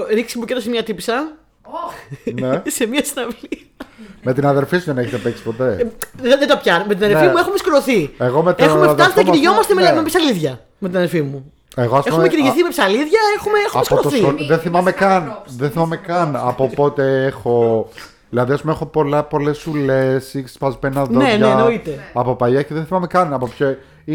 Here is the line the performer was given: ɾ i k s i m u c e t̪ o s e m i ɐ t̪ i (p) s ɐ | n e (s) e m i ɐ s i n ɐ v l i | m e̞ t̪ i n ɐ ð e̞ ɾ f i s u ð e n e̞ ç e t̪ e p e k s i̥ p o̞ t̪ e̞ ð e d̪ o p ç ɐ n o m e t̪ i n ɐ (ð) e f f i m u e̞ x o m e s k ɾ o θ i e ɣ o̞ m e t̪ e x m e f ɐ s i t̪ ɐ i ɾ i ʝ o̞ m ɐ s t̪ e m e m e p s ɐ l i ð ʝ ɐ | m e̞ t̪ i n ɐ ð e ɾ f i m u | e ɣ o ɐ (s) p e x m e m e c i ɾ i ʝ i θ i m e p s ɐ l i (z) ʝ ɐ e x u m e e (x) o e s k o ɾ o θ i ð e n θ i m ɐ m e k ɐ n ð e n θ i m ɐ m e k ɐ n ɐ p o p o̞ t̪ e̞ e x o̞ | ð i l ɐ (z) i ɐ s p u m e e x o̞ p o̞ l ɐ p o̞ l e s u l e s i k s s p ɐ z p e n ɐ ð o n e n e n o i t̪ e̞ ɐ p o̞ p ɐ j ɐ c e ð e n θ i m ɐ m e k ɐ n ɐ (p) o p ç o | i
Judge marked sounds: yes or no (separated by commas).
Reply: yes, yes, yes, yes, no, yes, no, yes